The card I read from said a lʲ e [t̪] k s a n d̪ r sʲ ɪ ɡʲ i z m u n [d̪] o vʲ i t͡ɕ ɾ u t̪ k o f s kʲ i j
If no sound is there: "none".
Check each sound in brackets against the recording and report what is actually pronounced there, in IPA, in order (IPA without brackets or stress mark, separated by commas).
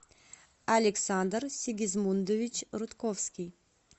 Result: none, d̪